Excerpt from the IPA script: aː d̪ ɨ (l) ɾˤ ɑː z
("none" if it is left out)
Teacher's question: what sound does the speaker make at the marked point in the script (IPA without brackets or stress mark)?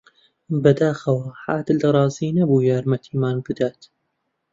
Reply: l